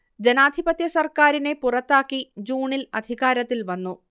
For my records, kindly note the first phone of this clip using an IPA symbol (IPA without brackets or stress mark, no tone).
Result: d͡ʑ